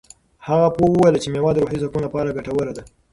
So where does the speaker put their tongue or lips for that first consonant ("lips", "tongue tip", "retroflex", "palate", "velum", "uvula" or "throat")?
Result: throat